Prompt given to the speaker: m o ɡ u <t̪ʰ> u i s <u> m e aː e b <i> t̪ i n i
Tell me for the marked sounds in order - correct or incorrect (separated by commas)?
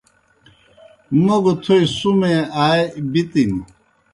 correct, correct, correct